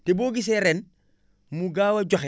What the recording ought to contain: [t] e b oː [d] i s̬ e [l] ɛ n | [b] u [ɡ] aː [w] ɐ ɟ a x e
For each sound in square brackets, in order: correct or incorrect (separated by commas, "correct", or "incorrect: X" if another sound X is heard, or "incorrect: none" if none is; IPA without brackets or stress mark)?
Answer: correct, incorrect: ɡ, incorrect: ɾ, incorrect: m, correct, correct